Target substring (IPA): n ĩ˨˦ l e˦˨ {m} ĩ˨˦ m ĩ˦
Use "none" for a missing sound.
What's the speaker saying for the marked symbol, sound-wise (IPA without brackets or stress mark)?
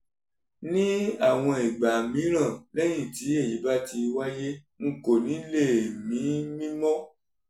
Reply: m